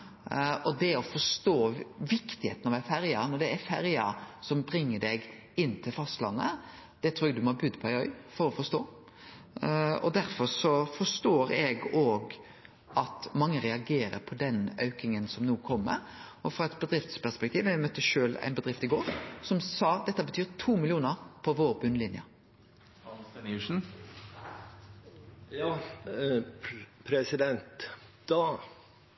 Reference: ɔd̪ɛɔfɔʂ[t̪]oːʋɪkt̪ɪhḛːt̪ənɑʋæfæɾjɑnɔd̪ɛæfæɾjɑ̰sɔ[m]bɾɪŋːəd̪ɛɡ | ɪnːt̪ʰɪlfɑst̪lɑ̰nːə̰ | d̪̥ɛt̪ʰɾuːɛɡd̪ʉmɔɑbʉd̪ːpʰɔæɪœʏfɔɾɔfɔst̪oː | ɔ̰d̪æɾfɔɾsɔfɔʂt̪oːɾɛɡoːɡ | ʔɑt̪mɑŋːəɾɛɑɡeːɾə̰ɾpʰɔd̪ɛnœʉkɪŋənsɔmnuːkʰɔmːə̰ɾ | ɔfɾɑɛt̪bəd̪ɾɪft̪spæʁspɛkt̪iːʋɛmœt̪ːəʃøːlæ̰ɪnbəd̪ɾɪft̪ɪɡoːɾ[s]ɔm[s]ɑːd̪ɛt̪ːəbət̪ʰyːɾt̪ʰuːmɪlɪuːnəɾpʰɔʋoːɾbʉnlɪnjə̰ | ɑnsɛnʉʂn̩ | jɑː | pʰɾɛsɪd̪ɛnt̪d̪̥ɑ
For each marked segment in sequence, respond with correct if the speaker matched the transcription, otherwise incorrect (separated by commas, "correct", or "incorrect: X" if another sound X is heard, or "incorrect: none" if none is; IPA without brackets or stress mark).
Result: correct, correct, correct, correct